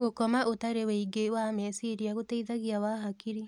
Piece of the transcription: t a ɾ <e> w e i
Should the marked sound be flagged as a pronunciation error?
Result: no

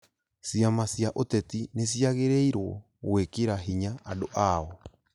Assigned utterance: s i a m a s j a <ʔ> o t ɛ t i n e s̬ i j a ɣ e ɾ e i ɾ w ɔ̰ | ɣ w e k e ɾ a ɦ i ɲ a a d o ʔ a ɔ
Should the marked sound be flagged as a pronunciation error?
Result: no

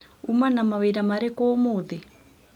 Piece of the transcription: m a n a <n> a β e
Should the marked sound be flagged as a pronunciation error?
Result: yes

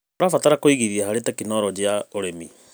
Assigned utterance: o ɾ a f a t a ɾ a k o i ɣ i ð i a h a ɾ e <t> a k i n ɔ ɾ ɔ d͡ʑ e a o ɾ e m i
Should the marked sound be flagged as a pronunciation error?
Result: no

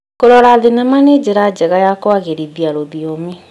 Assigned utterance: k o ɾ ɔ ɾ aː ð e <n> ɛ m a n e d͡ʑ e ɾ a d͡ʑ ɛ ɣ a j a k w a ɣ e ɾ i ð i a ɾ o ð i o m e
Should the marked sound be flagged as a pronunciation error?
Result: no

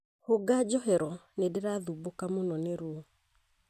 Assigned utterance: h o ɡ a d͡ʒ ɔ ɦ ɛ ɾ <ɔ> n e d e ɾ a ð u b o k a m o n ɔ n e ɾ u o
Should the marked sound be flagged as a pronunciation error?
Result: no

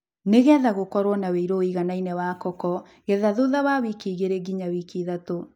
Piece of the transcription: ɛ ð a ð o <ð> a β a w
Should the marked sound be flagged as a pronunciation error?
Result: no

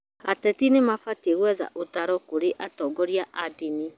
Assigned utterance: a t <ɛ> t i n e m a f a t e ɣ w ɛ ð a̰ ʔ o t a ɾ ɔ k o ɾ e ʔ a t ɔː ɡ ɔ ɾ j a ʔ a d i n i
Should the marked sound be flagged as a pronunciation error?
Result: no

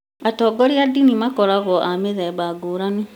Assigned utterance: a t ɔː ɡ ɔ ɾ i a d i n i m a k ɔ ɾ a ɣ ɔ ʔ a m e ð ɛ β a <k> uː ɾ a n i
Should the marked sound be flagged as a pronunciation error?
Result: yes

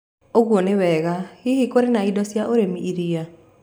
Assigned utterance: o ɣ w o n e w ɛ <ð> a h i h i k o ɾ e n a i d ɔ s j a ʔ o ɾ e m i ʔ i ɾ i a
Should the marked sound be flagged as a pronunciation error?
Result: yes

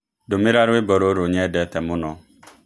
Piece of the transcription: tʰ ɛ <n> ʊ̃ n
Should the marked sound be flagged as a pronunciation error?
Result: yes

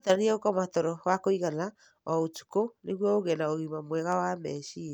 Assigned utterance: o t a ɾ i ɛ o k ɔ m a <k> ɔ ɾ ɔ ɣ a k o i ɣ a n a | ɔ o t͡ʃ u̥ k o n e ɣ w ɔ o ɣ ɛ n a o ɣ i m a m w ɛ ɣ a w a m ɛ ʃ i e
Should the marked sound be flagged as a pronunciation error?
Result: yes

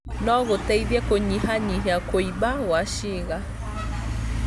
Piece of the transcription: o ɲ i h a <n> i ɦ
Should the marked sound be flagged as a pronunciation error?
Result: yes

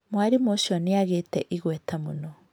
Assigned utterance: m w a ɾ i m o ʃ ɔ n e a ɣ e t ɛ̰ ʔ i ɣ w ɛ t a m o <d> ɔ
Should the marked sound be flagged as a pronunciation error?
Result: yes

